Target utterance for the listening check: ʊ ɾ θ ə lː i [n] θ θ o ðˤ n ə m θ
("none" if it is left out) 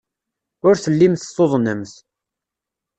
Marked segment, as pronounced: m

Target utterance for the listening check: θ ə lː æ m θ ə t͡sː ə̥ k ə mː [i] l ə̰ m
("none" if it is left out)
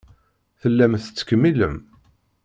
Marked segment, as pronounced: i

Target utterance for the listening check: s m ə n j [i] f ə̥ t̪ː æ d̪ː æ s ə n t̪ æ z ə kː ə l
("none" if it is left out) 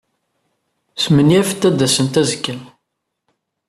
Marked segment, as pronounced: æ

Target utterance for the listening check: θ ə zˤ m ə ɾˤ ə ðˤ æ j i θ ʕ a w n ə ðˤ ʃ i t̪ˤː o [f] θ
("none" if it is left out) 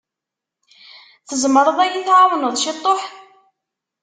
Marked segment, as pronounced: ħ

